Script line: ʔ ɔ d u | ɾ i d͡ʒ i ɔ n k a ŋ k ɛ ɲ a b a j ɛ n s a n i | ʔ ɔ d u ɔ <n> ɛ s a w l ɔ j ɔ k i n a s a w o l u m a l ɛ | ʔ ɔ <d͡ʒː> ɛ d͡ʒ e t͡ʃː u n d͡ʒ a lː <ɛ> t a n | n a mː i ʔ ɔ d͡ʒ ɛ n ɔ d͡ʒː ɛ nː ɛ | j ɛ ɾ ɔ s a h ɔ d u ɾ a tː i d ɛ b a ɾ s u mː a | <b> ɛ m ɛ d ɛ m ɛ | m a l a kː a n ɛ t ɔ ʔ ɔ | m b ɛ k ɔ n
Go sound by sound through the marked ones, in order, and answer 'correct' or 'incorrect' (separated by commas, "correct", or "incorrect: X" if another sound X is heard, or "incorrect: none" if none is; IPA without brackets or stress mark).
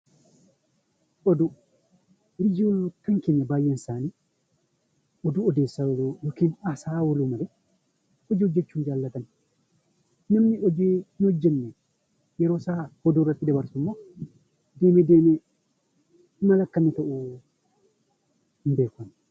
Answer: incorrect: d, incorrect: d͡ʒ, incorrect: a, incorrect: d